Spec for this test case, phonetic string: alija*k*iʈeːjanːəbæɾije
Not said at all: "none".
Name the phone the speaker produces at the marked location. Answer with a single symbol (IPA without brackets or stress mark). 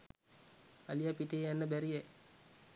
p